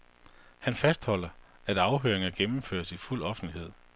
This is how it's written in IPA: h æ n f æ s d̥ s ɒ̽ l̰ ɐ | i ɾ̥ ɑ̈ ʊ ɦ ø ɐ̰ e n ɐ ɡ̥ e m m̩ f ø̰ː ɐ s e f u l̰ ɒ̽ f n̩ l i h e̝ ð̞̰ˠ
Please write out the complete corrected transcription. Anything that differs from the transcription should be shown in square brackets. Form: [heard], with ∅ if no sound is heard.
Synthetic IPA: h æ n f æ s d̥ [h] ɒ̽ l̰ ɐ | [æ] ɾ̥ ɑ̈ ʊ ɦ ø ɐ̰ e [ŋ] ɐ ɡ̥ e m m̩ f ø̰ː ɐ s [i] f u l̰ ɒ̽ f n̩ l i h e̝ ð̞̰ˠ